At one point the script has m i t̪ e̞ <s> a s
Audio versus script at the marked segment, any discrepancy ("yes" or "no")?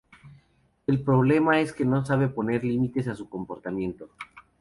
no